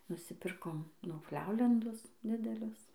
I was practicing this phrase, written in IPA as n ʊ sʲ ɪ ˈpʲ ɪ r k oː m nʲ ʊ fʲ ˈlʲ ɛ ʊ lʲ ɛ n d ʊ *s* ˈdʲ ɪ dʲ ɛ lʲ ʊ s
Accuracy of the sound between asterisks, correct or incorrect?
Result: correct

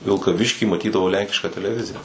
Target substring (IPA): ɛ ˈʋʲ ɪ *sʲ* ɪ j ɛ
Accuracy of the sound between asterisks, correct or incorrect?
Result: incorrect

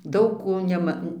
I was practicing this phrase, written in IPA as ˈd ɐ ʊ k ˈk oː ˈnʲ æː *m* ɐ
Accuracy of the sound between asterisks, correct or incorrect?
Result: correct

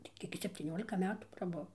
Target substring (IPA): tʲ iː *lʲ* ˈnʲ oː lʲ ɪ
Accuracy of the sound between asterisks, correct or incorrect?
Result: incorrect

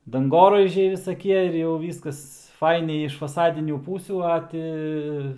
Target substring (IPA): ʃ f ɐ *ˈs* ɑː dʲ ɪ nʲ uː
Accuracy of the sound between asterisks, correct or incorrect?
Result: correct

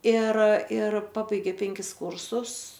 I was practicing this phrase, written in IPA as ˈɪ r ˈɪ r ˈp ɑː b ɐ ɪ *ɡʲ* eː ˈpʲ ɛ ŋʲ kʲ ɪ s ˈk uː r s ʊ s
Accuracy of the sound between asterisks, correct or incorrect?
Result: correct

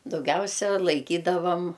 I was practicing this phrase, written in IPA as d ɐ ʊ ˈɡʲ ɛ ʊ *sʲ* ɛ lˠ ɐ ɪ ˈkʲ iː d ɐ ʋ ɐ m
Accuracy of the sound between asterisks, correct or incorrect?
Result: correct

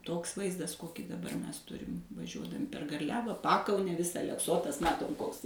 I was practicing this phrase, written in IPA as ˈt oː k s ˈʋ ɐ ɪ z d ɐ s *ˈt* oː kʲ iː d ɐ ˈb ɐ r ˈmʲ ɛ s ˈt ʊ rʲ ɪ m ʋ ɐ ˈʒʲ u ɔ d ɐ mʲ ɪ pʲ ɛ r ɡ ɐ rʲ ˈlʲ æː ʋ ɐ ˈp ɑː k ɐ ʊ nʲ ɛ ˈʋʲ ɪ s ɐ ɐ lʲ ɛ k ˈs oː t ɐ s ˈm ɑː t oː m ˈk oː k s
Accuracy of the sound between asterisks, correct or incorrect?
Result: incorrect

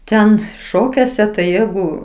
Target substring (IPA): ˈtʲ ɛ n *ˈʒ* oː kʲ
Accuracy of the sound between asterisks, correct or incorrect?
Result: incorrect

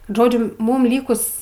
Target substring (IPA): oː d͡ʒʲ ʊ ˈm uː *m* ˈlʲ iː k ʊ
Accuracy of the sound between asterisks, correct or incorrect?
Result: correct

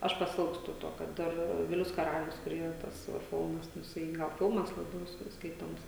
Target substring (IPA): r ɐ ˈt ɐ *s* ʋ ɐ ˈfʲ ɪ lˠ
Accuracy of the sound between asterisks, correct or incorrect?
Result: correct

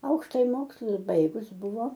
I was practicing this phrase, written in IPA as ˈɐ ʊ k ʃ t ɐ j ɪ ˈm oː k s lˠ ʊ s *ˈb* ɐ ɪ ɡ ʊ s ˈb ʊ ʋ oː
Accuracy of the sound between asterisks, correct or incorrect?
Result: correct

